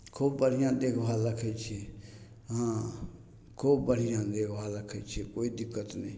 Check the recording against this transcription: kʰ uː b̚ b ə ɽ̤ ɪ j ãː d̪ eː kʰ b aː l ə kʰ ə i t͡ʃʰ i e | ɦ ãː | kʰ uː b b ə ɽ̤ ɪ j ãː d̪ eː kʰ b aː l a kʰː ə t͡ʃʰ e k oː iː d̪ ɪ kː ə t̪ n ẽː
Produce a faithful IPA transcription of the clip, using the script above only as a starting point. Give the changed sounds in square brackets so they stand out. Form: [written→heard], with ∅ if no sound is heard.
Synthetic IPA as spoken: kʰ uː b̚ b ə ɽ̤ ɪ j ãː d̪ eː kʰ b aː l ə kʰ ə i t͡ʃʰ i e | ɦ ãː | kʰ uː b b ə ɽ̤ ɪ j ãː d̪ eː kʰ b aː l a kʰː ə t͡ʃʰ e k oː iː d̪ ɪ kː ə t̪ n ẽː